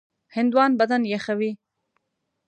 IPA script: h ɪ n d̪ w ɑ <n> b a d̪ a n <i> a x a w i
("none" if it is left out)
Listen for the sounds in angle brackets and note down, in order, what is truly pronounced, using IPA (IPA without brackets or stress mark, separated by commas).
n, j